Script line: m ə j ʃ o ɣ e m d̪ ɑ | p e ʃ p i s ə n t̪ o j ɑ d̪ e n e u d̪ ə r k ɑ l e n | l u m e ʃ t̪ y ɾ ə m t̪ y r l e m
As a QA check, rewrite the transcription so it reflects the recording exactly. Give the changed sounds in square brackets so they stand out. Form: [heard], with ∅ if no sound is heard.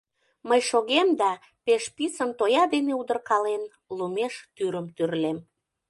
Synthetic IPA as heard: m ə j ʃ o ɣ e m d̪ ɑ | p e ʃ p i s ə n t̪ o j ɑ d̪ e n e u d̪ ə r k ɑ l e n | l u m e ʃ t̪ y ɾ ə m t̪ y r l e m